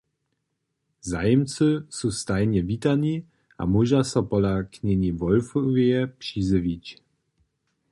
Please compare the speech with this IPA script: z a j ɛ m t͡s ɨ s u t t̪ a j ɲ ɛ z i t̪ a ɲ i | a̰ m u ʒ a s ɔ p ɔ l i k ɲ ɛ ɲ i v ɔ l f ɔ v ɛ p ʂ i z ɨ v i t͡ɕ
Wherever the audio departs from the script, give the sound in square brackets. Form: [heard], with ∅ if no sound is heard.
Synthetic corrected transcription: z a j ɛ m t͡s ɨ s u [s] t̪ a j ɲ ɛ [v] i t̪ a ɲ i | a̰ m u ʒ a s ɔ p ɔ l [a] k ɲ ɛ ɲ i v ɔ l f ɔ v ɛ p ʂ i z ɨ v i t͡ɕ